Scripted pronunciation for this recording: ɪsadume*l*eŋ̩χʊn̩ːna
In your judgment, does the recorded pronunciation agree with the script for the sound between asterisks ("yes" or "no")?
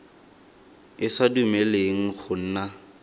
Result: yes